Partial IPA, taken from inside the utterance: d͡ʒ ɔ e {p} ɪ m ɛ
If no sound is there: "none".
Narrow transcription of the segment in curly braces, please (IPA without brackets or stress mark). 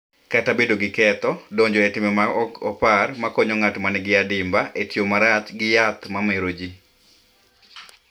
t